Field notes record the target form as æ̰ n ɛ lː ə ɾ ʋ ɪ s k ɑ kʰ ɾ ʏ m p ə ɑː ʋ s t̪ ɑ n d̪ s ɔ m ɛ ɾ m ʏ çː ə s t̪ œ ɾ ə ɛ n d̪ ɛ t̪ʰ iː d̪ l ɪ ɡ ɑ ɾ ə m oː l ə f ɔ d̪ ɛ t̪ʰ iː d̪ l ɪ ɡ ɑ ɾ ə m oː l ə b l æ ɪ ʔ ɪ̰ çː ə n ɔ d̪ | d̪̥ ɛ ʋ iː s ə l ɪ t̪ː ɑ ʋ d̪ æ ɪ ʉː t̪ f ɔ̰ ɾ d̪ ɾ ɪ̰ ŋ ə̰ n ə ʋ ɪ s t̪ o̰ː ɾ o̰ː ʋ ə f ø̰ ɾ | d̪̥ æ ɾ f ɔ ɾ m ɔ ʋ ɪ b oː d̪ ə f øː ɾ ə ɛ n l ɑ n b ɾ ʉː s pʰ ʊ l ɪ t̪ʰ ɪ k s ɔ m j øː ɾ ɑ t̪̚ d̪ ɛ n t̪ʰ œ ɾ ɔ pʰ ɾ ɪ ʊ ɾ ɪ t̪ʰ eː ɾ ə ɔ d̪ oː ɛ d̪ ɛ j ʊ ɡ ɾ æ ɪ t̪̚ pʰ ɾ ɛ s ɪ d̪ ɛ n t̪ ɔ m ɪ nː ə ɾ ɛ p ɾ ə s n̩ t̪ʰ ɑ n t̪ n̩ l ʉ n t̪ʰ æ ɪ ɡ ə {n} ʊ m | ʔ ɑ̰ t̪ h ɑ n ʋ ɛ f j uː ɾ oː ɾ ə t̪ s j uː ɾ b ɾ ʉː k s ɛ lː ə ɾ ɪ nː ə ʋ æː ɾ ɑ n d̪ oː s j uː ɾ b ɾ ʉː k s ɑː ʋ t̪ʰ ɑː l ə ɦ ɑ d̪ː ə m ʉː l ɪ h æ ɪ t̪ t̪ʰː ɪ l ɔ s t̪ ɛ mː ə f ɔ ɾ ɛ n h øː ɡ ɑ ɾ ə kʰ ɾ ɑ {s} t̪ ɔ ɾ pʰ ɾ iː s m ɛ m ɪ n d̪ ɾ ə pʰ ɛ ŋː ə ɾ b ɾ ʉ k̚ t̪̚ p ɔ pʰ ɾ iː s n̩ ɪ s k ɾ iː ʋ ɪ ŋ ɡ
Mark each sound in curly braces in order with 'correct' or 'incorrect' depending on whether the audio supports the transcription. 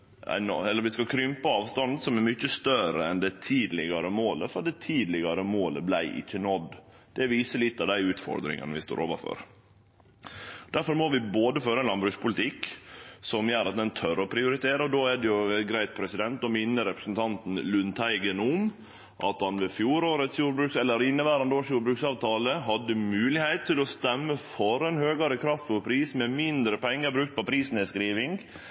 correct, incorrect

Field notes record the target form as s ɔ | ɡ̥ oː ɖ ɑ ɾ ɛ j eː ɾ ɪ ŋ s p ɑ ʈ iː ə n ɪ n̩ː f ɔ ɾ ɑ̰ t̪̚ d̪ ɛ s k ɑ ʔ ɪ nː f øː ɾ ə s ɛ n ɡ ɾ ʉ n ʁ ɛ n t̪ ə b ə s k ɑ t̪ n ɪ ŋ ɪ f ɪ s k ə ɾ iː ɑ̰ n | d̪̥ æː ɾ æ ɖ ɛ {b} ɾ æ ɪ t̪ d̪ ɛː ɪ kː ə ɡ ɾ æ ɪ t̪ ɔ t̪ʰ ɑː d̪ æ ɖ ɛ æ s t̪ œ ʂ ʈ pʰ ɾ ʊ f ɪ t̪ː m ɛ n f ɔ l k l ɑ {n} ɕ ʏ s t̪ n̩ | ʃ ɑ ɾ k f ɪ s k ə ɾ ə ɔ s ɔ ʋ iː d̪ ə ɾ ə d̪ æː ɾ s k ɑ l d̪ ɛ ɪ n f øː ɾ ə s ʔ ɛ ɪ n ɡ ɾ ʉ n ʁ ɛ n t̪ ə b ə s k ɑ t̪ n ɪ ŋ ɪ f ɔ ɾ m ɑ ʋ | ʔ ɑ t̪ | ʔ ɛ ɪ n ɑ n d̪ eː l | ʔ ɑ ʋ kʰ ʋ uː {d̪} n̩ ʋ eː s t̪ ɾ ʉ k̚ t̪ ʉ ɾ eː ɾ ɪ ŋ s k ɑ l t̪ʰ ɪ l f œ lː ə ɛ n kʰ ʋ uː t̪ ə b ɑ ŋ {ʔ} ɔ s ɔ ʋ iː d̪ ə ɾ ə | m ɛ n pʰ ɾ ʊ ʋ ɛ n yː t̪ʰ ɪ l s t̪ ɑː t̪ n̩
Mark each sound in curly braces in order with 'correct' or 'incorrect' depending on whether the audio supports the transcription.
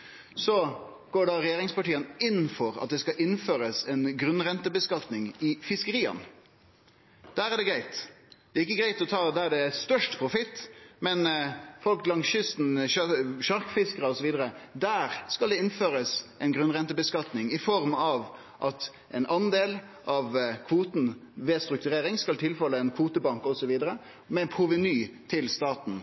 incorrect, incorrect, incorrect, incorrect

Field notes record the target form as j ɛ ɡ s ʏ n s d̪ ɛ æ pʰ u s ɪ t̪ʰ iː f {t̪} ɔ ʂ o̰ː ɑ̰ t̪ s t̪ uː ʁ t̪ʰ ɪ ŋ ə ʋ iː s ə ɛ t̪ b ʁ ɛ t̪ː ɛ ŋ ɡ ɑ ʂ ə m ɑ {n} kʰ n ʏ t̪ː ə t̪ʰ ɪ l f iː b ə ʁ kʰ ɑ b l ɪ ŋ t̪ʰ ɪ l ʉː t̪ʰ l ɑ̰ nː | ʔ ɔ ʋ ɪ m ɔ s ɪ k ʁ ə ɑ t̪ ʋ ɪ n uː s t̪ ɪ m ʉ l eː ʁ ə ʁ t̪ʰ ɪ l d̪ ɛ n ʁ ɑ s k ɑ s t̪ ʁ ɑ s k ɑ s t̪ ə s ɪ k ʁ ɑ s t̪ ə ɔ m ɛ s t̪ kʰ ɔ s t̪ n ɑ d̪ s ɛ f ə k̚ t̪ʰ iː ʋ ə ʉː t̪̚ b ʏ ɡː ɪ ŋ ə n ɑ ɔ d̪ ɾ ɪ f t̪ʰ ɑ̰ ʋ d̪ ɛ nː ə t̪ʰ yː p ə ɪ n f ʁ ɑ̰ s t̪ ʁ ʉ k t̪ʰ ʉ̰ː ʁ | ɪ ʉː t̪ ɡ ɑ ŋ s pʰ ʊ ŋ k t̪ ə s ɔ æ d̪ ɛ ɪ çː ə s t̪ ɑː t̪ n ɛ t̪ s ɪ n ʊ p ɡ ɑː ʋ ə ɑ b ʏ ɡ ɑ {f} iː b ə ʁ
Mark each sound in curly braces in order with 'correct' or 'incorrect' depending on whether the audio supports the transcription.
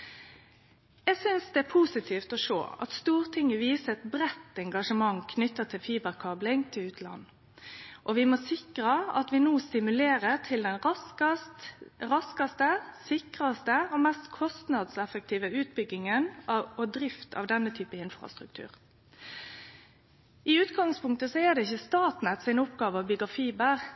correct, incorrect, correct

